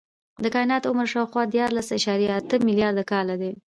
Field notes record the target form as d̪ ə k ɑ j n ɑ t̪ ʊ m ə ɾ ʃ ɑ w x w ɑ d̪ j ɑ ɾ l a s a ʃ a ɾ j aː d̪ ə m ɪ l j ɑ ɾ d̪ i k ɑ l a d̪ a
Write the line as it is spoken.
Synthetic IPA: d̪ ə k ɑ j n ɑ t̪ ʊ m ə ɾ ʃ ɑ w x w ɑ d̪ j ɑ ɾ l a s a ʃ ɑ ɾ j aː t̪ ə m ɪ l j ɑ ɾ d̪ a k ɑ l a d̪ e